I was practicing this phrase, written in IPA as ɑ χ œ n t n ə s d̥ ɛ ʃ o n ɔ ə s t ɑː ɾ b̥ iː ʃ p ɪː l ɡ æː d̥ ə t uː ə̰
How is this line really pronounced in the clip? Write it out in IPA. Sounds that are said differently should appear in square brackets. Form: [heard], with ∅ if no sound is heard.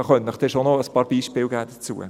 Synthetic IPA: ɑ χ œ n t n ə [χ] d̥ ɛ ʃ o n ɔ ə s [p] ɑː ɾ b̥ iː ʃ p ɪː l ɡ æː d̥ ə [t͡s] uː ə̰